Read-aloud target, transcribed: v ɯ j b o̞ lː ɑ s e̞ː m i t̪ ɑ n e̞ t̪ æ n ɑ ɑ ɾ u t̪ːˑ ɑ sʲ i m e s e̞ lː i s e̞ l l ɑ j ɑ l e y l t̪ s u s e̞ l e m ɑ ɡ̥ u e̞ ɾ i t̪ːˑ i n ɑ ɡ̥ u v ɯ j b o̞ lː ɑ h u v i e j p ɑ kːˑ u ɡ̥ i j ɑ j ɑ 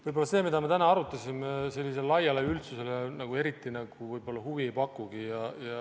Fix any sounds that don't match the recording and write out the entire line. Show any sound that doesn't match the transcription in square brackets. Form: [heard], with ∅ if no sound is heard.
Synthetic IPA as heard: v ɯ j b o̞ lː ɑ s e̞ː m i [d̪] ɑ [m] e̞ t̪ æ n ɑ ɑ ɾ u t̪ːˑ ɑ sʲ i m e s e̞ lː i s e̞ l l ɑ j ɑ l e y l t̪ s u s e̞ l e [n] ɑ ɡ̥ u e̞ ɾ i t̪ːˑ i n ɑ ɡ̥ u v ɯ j b o̞ lː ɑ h u v i e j p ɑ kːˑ u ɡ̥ i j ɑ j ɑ

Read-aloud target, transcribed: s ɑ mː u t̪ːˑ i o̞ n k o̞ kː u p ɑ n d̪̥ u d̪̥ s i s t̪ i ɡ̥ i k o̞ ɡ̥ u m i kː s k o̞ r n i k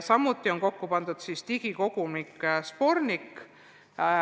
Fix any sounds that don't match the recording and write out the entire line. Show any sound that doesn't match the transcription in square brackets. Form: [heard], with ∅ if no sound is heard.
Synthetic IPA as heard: s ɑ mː u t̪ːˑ i o̞ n k o̞ kː u p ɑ n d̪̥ u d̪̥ s i s t̪ i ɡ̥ i k o̞ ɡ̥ u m i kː s [p] o̞ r n i k

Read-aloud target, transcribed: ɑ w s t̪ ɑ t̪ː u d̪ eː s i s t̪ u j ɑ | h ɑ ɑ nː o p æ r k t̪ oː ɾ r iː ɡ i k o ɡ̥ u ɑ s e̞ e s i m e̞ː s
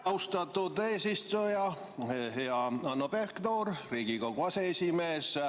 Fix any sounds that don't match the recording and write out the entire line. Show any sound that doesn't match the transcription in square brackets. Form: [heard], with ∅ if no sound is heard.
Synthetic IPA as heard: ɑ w s t̪ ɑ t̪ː u d̪ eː s i s t̪ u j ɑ | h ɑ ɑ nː o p [e] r k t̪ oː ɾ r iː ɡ i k o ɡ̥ u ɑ s e̞ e s i m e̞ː s

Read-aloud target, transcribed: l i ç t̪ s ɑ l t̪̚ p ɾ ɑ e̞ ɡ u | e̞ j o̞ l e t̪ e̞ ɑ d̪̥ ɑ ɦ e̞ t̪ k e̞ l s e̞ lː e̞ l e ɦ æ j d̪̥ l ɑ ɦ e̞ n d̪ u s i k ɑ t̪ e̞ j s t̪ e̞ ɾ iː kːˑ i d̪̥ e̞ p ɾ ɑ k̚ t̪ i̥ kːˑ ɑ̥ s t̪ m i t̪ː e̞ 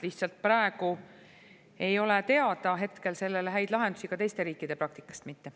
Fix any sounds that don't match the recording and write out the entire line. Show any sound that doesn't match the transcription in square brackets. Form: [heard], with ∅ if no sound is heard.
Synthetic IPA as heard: l i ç t̪ s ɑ l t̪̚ p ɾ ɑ e̞ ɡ u | e̞ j o̞ l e t̪ e̞ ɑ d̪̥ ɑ ɦ e̞ t̪ k e̞ l s e̞ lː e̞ l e ɦ æ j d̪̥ l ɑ ɦ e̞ n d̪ u s i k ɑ t̪ e̞ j s t̪ e̞ ɾ iː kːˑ i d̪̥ e̞ p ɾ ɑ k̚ t̪ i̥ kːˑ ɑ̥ s t̪ m i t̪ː e̞

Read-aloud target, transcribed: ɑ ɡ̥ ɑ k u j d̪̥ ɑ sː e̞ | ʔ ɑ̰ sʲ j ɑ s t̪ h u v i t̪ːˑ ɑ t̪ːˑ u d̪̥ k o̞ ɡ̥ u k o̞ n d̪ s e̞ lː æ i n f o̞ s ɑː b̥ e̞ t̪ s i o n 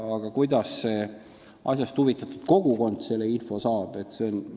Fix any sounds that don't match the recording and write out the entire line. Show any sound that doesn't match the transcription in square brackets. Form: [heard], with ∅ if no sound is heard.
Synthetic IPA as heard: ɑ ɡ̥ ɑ k u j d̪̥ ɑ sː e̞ | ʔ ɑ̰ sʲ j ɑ s t̪ h u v i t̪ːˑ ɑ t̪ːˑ u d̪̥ k o̞ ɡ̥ u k o̞ n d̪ s e̞ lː [e] i n f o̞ s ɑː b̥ e̞ t̪ s [e] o n

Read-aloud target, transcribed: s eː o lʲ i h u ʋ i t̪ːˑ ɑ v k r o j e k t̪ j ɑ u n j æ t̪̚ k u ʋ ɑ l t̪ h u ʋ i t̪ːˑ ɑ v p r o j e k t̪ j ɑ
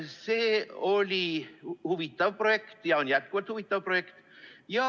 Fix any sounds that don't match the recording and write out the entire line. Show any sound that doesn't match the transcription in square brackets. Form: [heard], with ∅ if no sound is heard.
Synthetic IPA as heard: s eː o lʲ i h u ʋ i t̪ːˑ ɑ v [p] r o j e k t̪ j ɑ [o] n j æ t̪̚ k u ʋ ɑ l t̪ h u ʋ i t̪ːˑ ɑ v p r o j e k t̪ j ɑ

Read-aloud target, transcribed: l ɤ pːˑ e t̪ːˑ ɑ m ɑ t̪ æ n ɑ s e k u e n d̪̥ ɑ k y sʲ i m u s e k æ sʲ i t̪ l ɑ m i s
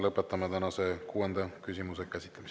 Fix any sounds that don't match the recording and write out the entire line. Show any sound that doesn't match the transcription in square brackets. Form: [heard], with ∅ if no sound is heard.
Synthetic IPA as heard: l ɤ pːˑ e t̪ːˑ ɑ m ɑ t̪ æ n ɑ s e k [uː] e n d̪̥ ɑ k y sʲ i m u s e k æ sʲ i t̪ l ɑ m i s

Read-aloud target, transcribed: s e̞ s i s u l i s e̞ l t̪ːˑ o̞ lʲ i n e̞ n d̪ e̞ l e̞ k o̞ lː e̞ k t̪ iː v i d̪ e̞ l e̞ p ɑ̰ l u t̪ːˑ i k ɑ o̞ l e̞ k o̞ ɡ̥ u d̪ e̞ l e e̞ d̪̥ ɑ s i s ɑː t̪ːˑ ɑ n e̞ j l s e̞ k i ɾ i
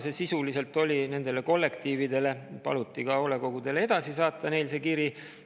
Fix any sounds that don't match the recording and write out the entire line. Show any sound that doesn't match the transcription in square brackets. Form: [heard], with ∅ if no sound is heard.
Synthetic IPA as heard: s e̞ s i s u l i s e̞ l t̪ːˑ o̞ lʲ i n e̞ n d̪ e̞ l e̞ k o̞ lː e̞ k t̪ iː v i d̪ e̞ l e̞ p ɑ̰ l u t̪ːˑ i k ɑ o̞ l e̞ k o̞ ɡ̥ u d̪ e̞ l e e̞ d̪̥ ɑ s i s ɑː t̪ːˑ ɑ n e̞ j l s e̞ k i ɾ i

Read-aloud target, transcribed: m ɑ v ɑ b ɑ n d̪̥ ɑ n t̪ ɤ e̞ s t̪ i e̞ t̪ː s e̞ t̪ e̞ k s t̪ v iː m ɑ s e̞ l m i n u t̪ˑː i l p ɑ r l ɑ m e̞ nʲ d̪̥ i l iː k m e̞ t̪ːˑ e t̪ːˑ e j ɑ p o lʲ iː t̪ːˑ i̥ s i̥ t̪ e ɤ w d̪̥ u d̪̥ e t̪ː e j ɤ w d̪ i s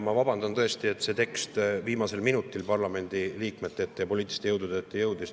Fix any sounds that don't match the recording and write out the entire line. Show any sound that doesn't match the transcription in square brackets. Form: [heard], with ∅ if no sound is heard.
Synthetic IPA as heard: m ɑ v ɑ b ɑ n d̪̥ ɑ n t̪ ɤ e̞ s t̪ i e̞ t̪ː s e̞ t̪ e̞ k s t̪ v iː m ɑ s e̞ l m i n u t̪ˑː i l p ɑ r l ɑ m e̞ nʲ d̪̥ i l iː k m e̞ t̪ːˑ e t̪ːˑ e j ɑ p o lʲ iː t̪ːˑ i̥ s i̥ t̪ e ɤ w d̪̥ u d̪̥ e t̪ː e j ɤ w d̪ i s

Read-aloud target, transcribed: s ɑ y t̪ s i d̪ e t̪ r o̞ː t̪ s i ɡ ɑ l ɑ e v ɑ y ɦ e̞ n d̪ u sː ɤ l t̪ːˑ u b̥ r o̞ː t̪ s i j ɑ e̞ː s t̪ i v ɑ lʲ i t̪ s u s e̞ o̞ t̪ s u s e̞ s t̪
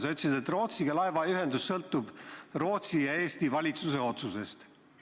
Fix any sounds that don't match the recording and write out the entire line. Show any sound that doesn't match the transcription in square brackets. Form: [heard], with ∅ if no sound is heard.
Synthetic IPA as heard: s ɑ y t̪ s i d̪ e t̪ r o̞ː t̪ s i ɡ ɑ l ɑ e v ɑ y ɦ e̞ n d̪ u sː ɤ l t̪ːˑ u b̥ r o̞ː t̪ s i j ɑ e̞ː s t̪ i v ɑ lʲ i t̪ s u s e̞ o̞ t̪ s u s e̞ s t̪

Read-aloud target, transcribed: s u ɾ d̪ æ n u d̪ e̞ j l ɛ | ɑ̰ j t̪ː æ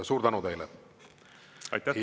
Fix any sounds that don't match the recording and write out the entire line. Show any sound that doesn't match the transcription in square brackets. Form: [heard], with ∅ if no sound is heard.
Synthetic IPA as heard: s [uː] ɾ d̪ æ n u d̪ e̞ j l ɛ | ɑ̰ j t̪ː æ

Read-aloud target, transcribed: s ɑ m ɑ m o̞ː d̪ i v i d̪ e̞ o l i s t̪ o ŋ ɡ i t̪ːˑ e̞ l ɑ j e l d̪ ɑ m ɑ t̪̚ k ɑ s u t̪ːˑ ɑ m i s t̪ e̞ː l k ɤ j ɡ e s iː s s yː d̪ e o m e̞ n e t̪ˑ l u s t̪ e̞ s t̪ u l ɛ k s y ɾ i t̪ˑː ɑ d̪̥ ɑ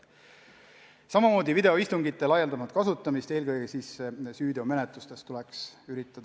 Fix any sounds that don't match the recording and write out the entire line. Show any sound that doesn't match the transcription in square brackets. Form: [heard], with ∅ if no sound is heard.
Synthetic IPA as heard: s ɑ m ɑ m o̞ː d̪ i v i d̪ e̞ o [∅] i s t̪ [u] ŋ ɡ i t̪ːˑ e̞ l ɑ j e l d̪ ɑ m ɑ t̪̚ k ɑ s u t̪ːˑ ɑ m i s t̪ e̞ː l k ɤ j ɡ e s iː s s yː d̪ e o m e̞ n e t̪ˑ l u s t̪ e̞ s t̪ u l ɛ k s y ɾ i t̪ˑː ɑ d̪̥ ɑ

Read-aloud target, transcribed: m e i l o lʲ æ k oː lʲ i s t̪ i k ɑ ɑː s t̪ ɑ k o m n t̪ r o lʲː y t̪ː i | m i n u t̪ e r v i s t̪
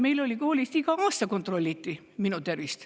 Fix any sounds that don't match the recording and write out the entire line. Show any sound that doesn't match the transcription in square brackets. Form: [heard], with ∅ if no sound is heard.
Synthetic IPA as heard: m e i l o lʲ [i] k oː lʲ i s t̪ i k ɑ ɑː s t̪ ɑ k o [∅] n t̪ r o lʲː [i] t̪ː i | m i n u t̪ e r [ʋ] i s t̪

